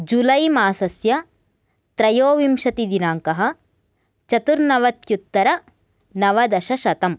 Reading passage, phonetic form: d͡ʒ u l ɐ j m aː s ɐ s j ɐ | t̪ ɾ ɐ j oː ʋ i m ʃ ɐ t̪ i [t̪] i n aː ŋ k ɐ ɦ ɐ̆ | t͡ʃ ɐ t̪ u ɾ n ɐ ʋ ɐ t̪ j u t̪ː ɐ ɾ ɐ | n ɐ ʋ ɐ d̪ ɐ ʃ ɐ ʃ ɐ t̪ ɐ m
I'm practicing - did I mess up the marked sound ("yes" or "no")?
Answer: yes